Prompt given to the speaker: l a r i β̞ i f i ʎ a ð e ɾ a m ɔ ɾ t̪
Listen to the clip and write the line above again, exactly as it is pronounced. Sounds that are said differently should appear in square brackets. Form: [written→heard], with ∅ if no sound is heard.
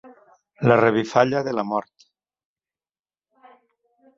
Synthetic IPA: l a r [i→e] β̞ i f [i→a] ʎ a ð e [ɾ→l] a m ɔ ɾ t̪